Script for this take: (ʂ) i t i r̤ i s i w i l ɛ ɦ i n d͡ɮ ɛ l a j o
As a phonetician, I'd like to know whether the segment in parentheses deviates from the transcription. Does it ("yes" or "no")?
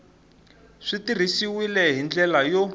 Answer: no